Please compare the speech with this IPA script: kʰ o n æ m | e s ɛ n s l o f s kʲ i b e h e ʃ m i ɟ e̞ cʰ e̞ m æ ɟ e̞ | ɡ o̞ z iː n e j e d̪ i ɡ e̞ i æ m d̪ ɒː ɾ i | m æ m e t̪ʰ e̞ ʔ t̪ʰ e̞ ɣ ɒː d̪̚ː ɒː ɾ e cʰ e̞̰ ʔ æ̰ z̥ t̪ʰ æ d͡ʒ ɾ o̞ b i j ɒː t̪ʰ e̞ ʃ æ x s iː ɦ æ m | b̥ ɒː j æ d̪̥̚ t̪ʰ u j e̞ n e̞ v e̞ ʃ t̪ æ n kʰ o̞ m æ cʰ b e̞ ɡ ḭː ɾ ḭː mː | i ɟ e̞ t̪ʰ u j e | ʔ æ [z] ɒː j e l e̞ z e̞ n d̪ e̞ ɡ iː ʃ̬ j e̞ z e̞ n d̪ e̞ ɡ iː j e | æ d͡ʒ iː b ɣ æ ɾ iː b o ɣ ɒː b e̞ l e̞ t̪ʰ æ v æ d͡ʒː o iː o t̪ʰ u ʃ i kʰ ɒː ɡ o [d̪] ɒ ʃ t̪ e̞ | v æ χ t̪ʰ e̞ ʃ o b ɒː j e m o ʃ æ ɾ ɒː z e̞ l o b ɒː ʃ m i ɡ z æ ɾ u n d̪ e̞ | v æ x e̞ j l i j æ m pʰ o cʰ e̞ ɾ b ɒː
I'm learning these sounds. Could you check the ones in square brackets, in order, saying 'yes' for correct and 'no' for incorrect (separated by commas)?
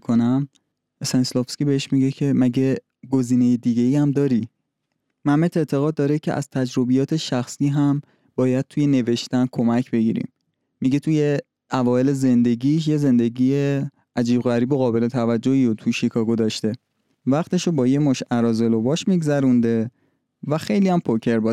no, yes